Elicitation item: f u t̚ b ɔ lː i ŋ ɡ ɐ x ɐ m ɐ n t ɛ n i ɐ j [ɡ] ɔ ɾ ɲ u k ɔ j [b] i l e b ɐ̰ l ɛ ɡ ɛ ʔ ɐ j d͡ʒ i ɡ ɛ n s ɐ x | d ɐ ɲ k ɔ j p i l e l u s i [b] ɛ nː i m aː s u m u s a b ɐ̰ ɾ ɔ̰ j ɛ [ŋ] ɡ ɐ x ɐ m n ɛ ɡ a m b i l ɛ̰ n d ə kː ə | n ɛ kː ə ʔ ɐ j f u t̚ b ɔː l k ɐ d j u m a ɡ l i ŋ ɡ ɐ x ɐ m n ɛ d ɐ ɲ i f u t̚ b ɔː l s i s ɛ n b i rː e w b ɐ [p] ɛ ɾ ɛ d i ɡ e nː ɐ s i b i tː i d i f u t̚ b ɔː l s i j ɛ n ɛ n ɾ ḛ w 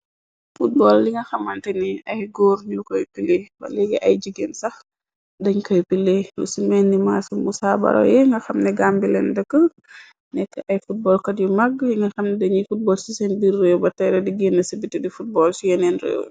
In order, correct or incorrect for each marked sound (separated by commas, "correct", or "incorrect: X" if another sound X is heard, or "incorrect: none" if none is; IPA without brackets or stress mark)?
correct, incorrect: p, incorrect: m, correct, incorrect: t